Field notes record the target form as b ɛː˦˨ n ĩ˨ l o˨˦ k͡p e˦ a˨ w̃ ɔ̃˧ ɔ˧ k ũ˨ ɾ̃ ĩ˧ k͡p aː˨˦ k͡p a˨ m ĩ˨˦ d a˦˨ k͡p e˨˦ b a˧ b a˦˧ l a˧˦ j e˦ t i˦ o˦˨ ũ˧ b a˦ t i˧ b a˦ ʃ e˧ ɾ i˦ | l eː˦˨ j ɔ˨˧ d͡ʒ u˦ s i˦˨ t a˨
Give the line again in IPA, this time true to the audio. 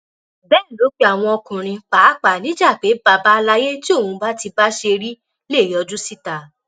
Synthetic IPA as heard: b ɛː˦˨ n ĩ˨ l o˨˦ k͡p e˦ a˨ w̃ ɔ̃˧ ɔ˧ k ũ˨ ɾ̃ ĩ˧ k͡p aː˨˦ k͡p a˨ n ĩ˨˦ d͡ʒ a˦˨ k͡p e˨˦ b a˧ b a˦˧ l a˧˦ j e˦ t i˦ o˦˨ ũ˧ b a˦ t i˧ b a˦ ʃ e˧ ɾ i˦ | l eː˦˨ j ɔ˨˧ d͡ʒ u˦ s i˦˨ t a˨

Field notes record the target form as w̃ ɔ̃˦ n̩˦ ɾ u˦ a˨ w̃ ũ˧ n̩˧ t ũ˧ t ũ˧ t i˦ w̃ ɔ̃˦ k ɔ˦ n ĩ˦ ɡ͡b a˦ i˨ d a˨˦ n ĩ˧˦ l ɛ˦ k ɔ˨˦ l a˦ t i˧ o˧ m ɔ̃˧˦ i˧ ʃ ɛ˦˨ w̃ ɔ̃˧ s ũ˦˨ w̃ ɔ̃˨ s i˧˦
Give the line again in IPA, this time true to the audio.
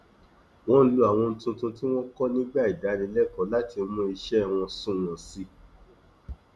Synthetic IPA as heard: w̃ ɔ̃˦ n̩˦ l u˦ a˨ w̃ ɔ̃˧ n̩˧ t ũ˧ t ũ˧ t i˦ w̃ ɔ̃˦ k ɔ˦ n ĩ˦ ɡ͡b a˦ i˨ d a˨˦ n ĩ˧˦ l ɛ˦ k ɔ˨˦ l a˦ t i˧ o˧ m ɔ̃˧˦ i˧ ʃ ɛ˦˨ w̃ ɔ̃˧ s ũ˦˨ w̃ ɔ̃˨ s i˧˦

